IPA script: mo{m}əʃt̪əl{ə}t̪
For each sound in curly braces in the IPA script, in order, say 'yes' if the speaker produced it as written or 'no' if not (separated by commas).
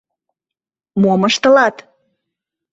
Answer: yes, no